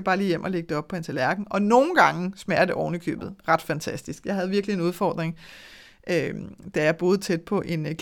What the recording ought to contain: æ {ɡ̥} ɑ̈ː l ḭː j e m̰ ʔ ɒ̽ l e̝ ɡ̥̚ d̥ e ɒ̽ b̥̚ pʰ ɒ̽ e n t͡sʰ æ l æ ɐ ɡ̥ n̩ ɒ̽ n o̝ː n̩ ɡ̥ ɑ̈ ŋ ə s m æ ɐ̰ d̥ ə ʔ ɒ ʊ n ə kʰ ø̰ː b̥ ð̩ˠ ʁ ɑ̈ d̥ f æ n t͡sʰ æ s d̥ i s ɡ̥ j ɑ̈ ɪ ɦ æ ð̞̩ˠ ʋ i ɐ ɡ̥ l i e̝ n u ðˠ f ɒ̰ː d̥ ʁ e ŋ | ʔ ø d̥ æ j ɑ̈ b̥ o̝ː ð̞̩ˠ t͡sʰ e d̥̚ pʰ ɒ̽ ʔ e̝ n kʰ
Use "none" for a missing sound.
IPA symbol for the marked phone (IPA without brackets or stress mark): b̥